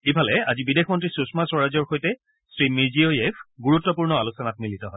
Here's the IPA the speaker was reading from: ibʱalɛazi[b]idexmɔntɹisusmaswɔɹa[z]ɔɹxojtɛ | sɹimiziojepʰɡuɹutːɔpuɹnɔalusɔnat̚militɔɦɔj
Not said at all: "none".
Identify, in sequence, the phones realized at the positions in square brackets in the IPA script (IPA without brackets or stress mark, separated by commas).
b, z